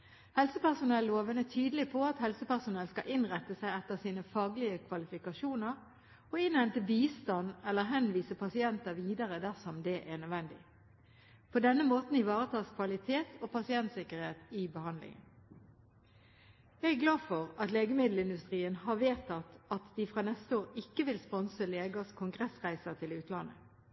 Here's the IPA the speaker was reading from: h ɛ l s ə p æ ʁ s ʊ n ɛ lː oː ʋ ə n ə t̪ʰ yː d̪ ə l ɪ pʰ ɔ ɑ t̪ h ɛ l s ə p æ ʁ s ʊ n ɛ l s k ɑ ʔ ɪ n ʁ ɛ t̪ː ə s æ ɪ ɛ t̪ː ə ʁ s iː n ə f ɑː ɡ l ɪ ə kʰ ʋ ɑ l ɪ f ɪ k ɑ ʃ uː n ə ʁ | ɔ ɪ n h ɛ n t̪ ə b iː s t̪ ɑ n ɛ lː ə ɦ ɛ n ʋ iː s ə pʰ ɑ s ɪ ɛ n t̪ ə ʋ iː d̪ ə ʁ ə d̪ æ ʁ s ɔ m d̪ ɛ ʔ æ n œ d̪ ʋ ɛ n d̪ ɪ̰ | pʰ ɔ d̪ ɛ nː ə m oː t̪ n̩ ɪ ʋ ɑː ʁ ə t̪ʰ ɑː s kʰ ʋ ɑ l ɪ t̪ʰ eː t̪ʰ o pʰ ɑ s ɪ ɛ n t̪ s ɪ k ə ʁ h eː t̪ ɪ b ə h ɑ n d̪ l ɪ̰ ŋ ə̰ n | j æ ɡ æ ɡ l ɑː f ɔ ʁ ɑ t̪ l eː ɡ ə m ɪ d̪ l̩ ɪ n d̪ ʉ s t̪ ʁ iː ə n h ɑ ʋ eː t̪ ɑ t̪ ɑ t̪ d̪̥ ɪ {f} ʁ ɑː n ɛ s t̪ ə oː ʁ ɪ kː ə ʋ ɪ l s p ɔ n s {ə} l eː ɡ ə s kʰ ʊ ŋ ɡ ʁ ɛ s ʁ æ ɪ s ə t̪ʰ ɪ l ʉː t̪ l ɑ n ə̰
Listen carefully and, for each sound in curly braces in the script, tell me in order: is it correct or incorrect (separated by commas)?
correct, correct